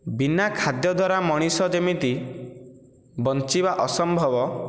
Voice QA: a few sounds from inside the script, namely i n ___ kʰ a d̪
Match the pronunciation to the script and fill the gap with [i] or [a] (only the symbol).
a